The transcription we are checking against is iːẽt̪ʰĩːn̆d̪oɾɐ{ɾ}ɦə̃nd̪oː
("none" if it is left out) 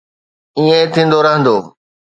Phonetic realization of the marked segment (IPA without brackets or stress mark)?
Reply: none